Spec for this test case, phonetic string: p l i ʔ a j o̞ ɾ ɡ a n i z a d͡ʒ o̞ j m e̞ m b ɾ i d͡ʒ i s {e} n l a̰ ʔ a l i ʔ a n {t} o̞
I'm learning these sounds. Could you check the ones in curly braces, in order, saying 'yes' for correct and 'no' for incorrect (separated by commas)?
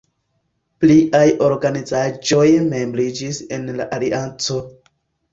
yes, no